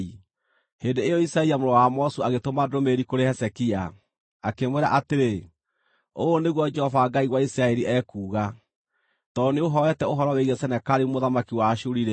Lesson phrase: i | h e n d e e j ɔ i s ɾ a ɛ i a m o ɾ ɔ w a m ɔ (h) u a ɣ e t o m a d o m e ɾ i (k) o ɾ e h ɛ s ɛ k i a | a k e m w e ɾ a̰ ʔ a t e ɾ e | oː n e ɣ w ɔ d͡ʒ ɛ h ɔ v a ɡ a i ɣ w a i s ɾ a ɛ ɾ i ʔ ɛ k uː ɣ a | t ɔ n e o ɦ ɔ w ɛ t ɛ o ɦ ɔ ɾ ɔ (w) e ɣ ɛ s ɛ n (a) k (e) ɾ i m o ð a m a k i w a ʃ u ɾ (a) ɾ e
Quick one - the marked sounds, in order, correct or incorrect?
incorrect: s, correct, correct, incorrect: ɛ, incorrect: a, incorrect: i

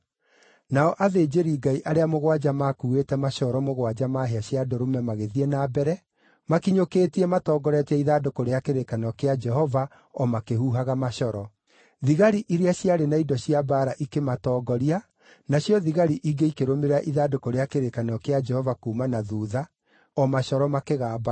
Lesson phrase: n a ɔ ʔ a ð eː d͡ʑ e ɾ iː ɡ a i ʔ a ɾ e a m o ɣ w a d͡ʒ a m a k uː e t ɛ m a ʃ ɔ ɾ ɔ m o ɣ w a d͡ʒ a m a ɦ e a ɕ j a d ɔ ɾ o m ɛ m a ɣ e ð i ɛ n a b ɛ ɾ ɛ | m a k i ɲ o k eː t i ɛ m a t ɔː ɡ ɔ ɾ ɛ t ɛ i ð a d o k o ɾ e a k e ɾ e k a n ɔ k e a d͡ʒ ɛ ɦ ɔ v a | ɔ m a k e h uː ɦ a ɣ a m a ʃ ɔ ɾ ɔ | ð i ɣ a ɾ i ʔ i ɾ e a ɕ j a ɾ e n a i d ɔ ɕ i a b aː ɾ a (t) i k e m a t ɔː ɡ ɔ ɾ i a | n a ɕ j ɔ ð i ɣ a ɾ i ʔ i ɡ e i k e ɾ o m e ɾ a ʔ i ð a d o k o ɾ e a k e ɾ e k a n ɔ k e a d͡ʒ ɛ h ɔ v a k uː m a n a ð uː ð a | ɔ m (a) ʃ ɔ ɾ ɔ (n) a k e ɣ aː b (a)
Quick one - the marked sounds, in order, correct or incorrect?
incorrect: ʔ, correct, incorrect: m, correct

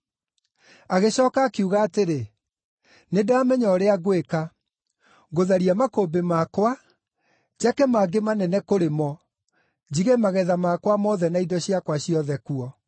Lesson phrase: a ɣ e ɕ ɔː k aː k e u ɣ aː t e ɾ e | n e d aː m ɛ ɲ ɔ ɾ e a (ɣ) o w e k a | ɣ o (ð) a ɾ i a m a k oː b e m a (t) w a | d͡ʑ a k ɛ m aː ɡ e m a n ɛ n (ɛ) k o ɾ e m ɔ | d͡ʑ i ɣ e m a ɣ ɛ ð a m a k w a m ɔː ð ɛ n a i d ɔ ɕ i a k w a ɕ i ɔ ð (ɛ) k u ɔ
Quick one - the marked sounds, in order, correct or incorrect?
correct, correct, incorrect: k, correct, correct

